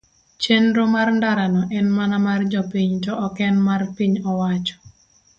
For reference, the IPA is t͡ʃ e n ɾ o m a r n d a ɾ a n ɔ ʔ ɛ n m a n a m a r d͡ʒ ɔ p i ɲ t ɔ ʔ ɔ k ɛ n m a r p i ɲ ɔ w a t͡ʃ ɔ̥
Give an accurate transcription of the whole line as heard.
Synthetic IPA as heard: t͡ʃ e n ɾ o m a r n d a ɾ a n ɔ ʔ ɛ n m a n a m a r d͡ʒ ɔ p i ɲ t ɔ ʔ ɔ k ɛ n m a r p i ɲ ɔ w a t͡ʃ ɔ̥